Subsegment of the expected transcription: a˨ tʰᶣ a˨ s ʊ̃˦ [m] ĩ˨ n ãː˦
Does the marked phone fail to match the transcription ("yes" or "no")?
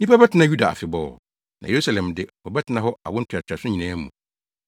yes